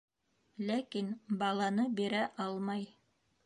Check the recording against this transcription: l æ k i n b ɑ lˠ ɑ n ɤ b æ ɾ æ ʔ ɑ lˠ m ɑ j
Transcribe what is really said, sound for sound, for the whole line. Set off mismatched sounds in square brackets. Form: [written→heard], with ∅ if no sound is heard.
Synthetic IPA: l æ k i n b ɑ lˠ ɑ n ɤ b [æ→i] ɾ æ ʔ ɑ lˠ m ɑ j